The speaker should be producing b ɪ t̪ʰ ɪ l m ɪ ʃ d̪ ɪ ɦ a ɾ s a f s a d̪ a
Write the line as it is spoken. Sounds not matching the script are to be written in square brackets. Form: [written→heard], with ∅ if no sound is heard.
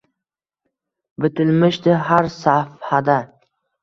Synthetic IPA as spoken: b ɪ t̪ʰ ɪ l m ɪ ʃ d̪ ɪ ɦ a ɾ s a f [s→h] a d̪ a